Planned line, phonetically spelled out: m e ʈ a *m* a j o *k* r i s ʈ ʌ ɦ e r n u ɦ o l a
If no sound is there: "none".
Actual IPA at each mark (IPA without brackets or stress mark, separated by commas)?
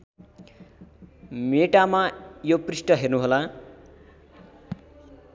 m, p